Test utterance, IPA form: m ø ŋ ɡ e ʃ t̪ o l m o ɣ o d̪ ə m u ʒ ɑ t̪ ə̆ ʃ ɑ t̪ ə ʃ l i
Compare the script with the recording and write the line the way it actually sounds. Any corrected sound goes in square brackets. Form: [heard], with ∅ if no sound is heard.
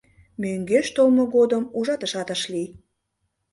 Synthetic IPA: m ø ŋ ɡ e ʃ t̪ o l m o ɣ o d̪ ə m u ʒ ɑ t̪ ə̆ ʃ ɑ t̪ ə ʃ l i